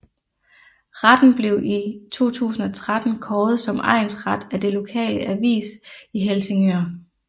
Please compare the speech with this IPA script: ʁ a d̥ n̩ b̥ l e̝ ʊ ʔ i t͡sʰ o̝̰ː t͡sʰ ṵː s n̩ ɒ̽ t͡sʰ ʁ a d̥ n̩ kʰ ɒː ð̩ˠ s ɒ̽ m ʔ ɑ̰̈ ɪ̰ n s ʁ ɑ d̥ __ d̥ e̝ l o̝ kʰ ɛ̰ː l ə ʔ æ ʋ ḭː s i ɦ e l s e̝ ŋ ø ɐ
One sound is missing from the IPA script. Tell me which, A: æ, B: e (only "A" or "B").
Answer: A